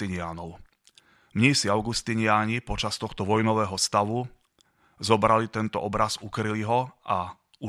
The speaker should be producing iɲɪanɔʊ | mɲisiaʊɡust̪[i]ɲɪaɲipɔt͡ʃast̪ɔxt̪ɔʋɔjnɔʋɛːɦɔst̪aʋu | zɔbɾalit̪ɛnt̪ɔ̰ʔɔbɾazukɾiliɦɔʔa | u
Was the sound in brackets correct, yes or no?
yes